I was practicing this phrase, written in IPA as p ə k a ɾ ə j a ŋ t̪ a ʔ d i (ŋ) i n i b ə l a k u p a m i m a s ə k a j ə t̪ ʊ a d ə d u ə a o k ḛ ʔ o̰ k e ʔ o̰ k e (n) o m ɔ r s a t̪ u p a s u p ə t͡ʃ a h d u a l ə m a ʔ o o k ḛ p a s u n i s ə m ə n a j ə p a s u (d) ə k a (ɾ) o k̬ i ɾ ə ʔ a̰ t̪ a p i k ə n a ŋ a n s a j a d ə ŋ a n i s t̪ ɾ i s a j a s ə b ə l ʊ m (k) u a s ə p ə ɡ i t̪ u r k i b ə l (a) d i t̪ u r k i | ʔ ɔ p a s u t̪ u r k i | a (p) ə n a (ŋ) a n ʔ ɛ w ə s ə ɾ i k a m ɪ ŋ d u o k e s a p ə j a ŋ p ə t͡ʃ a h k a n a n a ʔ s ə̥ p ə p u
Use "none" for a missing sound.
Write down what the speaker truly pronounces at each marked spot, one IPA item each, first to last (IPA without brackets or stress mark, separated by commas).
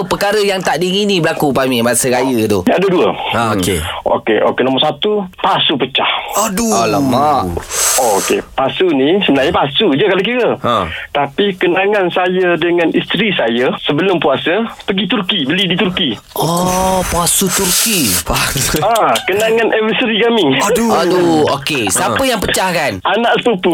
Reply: ŋ, n, d͡ʒ, l, p, i, k, ŋ